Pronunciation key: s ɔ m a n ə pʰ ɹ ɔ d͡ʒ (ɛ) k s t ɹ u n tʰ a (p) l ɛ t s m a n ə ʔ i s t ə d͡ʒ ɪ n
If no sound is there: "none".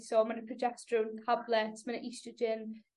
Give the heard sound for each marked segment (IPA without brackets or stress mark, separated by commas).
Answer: ɛ, b